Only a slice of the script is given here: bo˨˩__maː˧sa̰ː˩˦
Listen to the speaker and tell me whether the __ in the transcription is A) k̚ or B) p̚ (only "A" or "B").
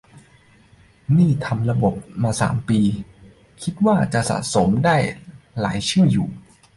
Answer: B